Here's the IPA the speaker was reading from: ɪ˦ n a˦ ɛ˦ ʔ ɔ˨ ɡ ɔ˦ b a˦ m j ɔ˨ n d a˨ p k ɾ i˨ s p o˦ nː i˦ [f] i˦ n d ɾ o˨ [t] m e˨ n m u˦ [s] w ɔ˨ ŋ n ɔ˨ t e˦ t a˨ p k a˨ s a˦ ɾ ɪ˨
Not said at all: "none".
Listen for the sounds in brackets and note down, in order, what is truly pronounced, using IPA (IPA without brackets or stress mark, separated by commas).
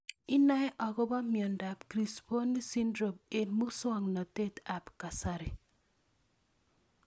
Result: s, none, s